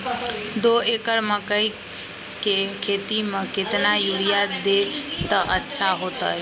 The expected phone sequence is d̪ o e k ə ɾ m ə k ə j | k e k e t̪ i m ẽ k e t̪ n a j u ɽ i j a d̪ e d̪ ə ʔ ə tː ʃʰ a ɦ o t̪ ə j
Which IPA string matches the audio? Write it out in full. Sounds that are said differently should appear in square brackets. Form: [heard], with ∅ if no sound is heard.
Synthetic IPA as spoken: d̪ o e k ə ɾ m ə k ə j | k e [kʰ] e t̪ i m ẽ k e t̪ n a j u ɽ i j a d̪ e [t̪] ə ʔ ə tː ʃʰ a ɦ o t̪ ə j